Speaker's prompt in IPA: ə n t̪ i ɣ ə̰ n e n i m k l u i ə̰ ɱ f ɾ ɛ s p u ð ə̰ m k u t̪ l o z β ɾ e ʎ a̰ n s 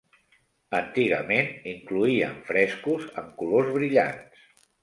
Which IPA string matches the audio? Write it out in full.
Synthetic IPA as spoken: ə n t̪ i ɣ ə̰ m e n i ŋ k l u i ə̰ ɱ f ɾ ɛ s k u z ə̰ m k u l o z β ɾ i ʎ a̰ n s